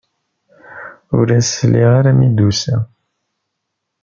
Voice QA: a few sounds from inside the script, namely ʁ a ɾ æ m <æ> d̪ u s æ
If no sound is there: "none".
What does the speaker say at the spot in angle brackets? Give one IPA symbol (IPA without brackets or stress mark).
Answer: i